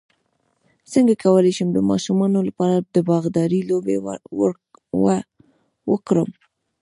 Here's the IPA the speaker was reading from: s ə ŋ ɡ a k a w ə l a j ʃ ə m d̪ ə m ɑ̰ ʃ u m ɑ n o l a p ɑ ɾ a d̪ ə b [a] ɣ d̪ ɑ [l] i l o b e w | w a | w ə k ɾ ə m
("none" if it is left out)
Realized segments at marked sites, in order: ɑ, ɾ

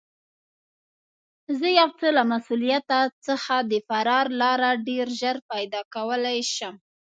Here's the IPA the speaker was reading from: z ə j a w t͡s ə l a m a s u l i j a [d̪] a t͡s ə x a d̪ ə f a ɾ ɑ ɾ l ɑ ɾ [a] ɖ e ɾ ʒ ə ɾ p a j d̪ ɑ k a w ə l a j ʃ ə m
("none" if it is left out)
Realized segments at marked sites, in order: t̪, a

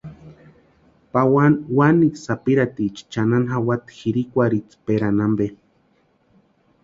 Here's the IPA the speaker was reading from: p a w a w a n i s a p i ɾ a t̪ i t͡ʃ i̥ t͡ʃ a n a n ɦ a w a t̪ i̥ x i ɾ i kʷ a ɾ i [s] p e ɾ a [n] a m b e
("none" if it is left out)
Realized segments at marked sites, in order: t͡s, n

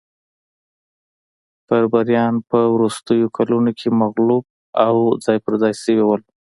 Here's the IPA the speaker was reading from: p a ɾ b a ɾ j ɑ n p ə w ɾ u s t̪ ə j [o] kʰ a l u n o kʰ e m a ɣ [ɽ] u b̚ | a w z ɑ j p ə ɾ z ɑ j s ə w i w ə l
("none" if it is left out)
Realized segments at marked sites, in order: o, l

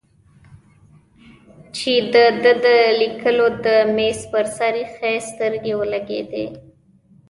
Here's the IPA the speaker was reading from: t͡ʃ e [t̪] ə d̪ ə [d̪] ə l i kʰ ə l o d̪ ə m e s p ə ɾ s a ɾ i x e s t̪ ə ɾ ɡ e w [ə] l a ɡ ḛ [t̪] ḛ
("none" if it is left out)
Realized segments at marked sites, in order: d̪, d̪, ə, d̪

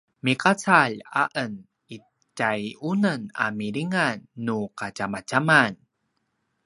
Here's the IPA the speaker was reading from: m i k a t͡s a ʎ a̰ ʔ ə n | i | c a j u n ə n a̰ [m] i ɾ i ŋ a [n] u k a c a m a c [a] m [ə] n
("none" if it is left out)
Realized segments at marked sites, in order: m, nː, a, a

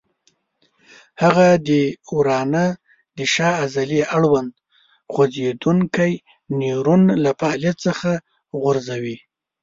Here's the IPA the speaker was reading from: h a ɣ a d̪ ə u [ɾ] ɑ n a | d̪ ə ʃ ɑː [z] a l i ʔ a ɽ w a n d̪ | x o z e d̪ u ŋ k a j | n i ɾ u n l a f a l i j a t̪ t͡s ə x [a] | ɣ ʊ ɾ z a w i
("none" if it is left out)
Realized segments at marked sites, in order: ɾ, z, a

